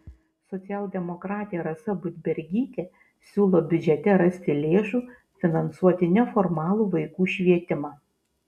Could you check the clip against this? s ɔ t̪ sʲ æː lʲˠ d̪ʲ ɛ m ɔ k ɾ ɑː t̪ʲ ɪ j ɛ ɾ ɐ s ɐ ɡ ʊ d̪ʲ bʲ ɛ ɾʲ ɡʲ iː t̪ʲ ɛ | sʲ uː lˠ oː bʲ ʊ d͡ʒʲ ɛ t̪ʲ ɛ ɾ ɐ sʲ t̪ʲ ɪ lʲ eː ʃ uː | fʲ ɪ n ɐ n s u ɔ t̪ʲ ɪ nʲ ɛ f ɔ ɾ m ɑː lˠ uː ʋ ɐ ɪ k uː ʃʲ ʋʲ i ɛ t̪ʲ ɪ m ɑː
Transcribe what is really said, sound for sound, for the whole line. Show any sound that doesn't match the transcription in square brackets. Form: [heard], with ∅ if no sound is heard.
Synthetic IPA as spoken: s ɔ t̪ sʲ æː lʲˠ d̪ʲ ɛ m ɔ k ɾ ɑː t̪ʲ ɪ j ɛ ɾ ɐ s ɐ [b] ʊ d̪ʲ bʲ ɛ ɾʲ ɡʲ iː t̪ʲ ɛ | sʲ uː lˠ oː bʲ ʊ d͡ʒʲ ɛ t̪ʲ ɛ ɾ ɐ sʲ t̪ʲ ɪ lʲ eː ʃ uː | fʲ ɪ n ɐ n s u ɔ t̪ʲ ɪ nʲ ɛ f ɔ ɾ m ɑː lˠ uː ʋ ɐ ɪ k uː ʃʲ ʋʲ i ɛ t̪ʲ ɪ m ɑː